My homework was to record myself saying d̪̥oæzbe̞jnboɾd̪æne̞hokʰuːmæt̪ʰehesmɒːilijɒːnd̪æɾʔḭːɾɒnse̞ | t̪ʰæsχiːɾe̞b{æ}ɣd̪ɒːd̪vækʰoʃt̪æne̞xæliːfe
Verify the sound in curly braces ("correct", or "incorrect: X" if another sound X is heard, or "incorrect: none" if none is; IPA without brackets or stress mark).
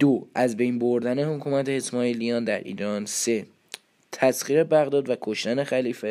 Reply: correct